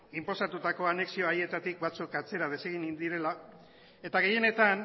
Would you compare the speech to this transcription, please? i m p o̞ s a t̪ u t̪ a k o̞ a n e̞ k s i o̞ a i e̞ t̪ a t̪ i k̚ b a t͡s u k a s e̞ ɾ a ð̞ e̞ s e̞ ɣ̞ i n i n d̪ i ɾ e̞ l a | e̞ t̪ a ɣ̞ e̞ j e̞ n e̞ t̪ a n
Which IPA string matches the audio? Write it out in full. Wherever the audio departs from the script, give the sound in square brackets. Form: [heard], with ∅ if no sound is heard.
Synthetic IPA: i m p o̞ s a t̪ u t̪ a k o̞ a n e̞ k s i o̞ a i e̞ t̪ a t̪ i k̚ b a t͡s u k a [t͡s] e̞ ɾ a ð̞ e̞ s e̞ ɣ̞ i n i n d̪ i ɾ e̞ l a | e̞ t̪ a ɣ̞ e̞ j e̞ n e̞ t̪ a n